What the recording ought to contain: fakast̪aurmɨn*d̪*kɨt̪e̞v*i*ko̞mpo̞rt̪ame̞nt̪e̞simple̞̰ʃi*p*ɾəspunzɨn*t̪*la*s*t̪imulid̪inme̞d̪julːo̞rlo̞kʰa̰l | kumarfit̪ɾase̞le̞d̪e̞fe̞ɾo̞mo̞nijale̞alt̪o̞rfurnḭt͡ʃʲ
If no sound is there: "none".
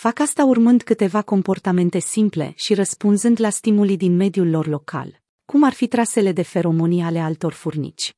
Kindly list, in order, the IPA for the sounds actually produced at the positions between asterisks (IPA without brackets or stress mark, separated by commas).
d̪, a, none, d̪, s